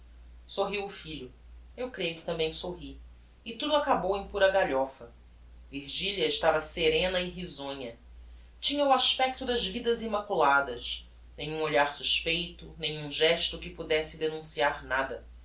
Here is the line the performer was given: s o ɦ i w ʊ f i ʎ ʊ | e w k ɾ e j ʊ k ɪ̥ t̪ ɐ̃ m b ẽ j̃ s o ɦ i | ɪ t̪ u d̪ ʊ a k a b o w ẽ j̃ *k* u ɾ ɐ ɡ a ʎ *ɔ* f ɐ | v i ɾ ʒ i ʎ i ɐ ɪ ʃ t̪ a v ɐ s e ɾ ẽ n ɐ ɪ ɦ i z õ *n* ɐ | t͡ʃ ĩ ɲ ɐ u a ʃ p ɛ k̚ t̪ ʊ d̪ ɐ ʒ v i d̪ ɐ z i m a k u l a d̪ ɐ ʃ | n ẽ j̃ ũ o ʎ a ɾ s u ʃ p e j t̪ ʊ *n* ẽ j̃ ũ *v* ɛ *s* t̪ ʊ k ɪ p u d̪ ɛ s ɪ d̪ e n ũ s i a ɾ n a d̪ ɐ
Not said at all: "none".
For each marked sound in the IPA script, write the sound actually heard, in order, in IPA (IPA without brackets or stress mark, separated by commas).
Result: p, ɔ, ɲ, n, ʒ, ʃ